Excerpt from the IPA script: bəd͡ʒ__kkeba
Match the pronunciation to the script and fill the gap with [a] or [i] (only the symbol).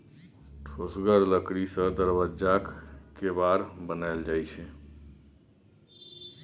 a